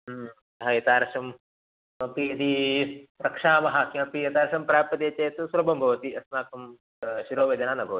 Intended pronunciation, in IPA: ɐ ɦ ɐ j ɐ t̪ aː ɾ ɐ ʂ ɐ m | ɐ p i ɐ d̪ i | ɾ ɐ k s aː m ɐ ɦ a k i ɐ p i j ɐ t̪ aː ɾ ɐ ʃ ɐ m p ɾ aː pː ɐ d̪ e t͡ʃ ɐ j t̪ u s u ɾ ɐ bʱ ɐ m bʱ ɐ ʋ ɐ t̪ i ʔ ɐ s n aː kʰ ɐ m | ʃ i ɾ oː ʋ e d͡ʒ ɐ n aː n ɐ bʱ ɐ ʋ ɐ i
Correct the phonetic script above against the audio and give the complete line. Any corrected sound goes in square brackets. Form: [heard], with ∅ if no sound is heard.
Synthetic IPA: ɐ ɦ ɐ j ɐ t̪ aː ɾ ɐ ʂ ɐ m | ɐ p i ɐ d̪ i | ɾ ɐ k [ʂ] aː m ɐ ɦ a k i ɐ p i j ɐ t̪ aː ɾ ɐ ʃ ɐ m p ɾ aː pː ɐ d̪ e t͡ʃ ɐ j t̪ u s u ɾ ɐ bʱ ɐ m bʱ ɐ ʋ ɐ t̪ i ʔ ɐ s n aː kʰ ɐ m | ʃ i ɾ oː ʋ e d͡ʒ ɐ n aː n ɐ bʱ ɐ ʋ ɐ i